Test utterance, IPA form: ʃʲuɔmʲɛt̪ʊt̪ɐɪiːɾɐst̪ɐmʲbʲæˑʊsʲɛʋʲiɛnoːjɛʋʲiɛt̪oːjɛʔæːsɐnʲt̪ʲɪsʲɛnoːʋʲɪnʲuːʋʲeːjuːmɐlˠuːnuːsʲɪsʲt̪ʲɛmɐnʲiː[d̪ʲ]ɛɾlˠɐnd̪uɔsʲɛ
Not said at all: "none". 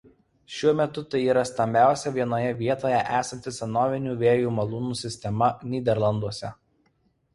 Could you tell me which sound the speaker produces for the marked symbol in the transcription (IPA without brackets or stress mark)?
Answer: d̪ʲ